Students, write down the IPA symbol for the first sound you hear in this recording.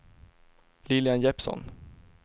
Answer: l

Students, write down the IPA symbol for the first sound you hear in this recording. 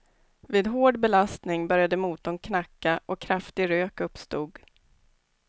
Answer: v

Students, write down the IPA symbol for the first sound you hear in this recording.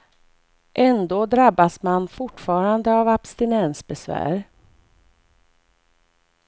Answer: ʔ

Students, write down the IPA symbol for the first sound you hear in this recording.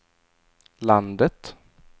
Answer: l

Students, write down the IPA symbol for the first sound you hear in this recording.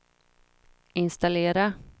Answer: ɪ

